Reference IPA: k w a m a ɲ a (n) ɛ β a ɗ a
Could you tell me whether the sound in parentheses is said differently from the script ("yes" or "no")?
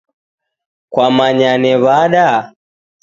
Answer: no